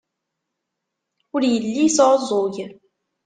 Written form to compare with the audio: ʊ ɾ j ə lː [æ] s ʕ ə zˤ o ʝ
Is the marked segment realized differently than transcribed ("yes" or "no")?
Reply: yes